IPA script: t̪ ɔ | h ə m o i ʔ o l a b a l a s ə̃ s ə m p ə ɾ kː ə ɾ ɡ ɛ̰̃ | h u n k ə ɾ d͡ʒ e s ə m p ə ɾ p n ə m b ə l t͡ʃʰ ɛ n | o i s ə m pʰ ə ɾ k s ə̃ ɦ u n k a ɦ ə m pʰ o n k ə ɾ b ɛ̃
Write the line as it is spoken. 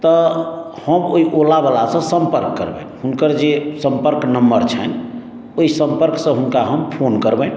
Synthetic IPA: t̪ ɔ | h ə m o i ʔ o l a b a l a s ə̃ s ə m p ə ɾ kː ə ɾ b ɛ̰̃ | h u n k ə ɾ d͡ʒ e s ə m p ə ɾ k n ə m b ə ɾ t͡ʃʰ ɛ n | o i s ə m p ə ɾ k s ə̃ ɦ u n k a ɦ ə m pʰ o n k ə ɾ b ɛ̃

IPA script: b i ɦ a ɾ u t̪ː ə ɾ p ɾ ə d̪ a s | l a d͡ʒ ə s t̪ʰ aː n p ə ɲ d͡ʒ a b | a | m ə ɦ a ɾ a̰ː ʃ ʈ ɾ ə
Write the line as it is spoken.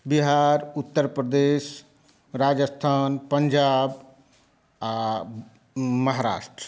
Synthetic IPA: b i ɦ a ɾ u t̪ː ə ɾ p ɾ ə d̪ e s | ɾ a d͡ʒ ə s t̪ʰ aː n p ə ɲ d͡ʒ a b | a | m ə ɦ a ɾ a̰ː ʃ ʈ ɾ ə

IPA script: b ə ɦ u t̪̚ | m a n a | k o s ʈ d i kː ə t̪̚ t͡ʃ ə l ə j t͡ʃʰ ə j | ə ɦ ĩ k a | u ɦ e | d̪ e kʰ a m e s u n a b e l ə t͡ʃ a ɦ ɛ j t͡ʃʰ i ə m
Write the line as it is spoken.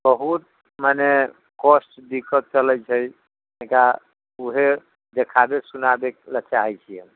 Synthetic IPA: b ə ɦ u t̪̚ | m a n e | k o s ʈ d i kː ə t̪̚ t͡ʃ ə l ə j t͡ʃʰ ə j | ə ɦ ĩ k a | u ɦ e | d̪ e kʰ a b e s u n a b e l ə t͡ʃ a ɦ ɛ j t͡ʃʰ i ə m

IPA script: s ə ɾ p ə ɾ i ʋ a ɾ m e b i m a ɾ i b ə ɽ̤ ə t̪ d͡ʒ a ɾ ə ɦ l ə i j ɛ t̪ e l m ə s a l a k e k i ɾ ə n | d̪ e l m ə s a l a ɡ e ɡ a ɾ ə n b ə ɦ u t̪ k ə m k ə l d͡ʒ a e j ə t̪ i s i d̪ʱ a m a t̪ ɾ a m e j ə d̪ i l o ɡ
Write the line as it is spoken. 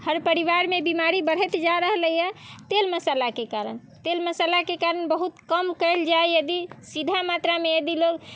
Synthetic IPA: h ə ɾ p ə ɾ i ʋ a ɾ m e b i m a ɾ i b ə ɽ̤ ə t̪ d͡ʒ a ɾ ə ɦ l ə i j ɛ t̪ e l m ə s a l a k e k a ɾ ə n | t̪ e l m ə s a l a k e k a ɾ ə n b ə ɦ u t̪ k ə m k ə l d͡ʒ a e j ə d̪ i s i d̪ʱ a m a t̪ ɾ a m e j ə d̪ i l o ɡ

